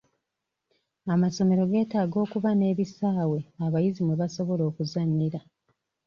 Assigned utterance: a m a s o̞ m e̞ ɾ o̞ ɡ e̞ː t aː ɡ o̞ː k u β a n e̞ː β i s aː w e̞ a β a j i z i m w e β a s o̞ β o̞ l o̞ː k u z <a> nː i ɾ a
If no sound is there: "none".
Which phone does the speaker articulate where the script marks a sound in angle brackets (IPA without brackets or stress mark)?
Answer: a